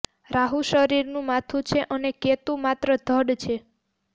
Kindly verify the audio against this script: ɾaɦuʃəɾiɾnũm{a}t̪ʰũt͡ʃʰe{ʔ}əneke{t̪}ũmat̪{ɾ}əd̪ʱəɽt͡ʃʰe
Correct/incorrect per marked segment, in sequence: correct, correct, correct, correct

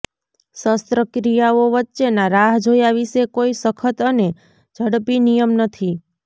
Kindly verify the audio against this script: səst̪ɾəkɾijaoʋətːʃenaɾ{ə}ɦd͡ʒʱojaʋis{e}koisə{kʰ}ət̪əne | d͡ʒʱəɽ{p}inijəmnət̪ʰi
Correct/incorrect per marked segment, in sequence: incorrect: a, correct, correct, correct

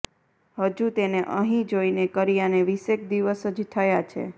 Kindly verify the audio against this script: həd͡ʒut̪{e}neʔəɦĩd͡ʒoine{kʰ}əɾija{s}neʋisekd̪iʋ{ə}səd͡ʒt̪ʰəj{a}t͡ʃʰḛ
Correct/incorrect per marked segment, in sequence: correct, incorrect: k, incorrect: none, correct, correct

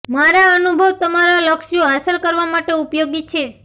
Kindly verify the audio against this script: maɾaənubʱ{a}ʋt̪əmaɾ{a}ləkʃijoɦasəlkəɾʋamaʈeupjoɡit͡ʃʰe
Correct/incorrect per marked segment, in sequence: incorrect: ə, correct

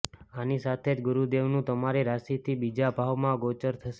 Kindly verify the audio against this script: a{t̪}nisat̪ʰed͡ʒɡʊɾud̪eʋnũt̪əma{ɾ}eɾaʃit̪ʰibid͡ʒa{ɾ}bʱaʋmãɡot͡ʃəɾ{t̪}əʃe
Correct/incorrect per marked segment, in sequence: incorrect: none, correct, incorrect: none, incorrect: t̪ʰ

